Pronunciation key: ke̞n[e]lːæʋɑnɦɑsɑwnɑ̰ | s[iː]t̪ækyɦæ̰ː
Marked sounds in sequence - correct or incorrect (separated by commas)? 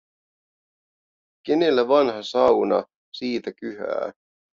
correct, correct